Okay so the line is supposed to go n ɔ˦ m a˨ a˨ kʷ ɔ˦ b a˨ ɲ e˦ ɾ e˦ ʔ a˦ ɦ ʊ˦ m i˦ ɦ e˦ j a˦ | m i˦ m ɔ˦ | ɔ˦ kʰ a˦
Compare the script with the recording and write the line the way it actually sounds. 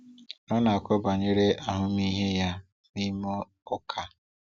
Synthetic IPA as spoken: n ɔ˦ n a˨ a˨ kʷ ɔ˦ b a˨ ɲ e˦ ɾ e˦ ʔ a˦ ɦ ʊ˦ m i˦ ɦ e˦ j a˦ | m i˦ m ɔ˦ | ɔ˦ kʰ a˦